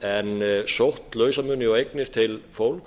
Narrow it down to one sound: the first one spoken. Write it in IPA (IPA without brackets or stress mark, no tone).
ɛ